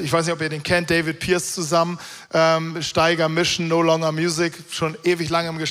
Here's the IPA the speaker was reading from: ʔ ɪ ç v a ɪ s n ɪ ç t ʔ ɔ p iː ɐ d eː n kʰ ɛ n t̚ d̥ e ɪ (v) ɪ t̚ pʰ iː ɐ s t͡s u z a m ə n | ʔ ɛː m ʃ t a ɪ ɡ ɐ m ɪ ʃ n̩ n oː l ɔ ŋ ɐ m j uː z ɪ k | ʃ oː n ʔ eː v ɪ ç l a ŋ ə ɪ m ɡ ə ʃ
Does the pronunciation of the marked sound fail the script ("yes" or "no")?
no